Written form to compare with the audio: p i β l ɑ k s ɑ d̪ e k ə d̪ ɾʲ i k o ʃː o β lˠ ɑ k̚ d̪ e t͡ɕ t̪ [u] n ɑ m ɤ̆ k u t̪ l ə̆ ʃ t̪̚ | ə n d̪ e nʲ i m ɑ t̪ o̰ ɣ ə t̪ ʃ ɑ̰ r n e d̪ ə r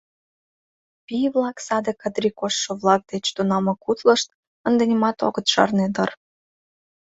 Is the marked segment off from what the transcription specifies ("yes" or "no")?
no